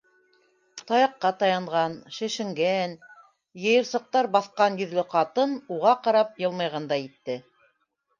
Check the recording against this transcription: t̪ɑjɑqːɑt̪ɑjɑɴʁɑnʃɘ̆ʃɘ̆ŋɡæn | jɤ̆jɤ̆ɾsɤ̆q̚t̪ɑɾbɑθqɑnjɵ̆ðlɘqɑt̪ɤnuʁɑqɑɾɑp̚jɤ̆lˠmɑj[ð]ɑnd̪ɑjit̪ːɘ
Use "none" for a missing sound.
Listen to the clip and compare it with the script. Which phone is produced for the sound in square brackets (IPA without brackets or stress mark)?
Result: ʁ